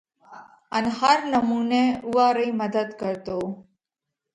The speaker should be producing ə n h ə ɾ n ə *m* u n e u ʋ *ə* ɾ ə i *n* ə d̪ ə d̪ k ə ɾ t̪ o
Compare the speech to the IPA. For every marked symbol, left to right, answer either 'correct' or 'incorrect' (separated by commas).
correct, incorrect, incorrect